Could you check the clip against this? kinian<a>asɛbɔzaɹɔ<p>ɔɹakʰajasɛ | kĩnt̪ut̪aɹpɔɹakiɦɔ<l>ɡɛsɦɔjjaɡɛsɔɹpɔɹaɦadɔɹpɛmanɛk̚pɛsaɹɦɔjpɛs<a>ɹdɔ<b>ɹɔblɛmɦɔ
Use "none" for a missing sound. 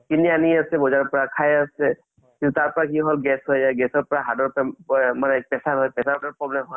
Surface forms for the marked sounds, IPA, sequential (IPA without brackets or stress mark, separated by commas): i, p, l, a, p